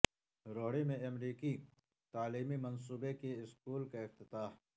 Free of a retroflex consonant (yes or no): no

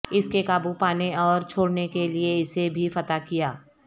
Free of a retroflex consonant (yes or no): no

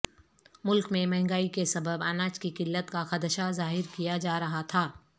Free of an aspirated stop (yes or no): no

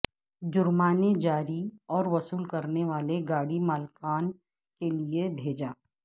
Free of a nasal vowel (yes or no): yes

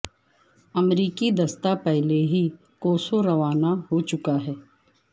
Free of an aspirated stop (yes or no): yes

